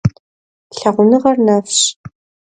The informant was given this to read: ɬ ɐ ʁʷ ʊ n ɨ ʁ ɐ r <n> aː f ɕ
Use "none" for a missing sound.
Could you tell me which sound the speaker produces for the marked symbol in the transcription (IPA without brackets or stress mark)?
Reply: n